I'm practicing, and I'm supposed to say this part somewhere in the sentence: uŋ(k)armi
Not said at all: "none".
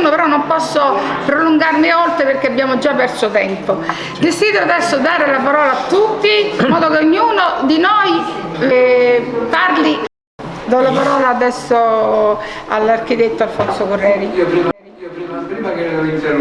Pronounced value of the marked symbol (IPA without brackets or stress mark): ɡ